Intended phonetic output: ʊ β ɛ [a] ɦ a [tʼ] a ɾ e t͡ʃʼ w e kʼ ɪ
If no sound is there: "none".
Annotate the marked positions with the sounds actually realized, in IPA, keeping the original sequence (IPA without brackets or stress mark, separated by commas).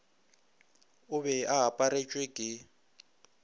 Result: a, pʼ